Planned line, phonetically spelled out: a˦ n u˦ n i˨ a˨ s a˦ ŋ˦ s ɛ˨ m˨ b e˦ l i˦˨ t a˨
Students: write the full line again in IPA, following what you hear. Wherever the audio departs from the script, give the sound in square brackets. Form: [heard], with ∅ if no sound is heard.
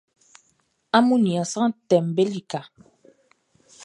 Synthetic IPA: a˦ [m] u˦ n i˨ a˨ s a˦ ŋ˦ [t] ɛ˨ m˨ b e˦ l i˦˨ [k] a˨